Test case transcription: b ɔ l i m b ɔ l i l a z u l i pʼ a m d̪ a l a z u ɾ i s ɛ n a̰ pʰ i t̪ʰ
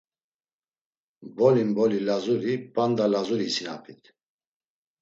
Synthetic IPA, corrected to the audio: b ɔ l i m b ɔ l i l a z u ɾ i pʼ a n d̪ a l a z u ɾ i s i n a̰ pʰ i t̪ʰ